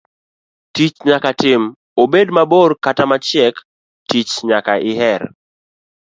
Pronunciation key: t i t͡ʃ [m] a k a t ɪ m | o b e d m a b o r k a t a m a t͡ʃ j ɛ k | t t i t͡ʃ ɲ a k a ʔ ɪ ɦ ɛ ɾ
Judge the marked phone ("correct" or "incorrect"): incorrect